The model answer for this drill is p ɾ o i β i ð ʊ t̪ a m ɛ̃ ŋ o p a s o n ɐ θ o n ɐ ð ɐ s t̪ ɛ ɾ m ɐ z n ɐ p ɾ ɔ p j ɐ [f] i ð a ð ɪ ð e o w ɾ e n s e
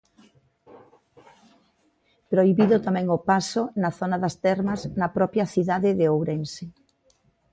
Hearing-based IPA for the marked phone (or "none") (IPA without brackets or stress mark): θ